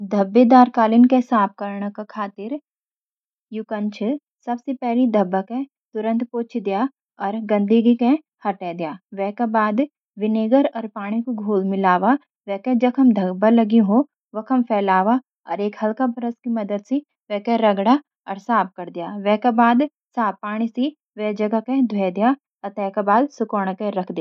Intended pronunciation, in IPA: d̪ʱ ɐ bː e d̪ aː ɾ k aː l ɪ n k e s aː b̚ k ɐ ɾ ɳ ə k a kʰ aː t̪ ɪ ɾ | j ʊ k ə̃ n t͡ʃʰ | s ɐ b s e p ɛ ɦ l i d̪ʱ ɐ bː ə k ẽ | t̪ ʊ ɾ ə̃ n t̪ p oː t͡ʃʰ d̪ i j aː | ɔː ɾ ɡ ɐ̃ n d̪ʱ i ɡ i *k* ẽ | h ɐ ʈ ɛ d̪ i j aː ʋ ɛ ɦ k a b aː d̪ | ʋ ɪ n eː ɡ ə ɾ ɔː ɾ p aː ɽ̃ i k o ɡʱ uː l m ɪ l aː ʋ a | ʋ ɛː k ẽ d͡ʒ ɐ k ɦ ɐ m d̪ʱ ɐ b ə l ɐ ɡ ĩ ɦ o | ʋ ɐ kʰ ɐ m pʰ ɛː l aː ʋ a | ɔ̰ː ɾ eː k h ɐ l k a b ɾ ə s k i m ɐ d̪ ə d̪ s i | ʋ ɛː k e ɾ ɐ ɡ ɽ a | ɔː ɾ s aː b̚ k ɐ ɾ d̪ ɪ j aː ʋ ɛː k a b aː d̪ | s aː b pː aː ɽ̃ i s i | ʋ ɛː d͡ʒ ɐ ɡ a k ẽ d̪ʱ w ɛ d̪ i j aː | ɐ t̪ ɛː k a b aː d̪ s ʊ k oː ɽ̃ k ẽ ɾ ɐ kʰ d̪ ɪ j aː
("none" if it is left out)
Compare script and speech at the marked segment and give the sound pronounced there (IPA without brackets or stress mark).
k